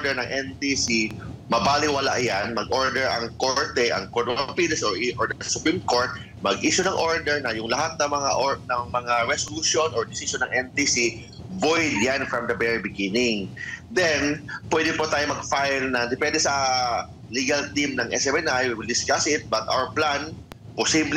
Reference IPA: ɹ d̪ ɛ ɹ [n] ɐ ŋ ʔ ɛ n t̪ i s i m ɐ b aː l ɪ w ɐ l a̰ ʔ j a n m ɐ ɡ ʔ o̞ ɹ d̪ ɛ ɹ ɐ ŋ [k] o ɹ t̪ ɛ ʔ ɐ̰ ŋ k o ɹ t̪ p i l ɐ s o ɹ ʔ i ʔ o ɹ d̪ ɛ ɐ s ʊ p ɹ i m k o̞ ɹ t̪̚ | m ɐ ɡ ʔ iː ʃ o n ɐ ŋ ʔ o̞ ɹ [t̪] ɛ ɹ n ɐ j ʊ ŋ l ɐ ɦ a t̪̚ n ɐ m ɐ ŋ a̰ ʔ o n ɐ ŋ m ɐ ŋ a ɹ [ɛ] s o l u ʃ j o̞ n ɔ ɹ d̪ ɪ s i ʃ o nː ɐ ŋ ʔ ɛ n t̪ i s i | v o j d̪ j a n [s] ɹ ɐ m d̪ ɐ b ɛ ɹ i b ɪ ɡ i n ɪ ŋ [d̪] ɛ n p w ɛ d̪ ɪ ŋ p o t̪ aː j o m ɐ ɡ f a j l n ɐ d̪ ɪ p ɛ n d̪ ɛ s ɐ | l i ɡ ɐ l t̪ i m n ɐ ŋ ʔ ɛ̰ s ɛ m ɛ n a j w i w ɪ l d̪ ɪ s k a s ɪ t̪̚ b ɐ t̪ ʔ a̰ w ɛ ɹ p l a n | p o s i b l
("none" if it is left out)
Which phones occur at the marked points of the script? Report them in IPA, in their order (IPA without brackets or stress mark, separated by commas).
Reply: n, k, d̪, ɛ, f, d̪